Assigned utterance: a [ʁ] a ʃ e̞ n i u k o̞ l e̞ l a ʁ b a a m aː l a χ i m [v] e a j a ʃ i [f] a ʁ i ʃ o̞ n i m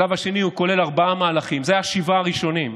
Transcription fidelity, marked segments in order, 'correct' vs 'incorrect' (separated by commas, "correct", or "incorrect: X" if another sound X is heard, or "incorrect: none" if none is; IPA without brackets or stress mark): incorrect: v, incorrect: z, incorrect: v